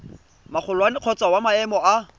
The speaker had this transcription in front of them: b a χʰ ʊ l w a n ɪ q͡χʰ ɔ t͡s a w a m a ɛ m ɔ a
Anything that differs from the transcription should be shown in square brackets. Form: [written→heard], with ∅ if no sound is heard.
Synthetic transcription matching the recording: [b→m] a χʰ ʊ l w a n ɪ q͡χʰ ɔ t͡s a w a m a ɛ m ɔ a